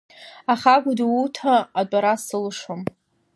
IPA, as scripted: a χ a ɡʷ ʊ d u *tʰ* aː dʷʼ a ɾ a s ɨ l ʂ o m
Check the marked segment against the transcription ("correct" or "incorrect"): correct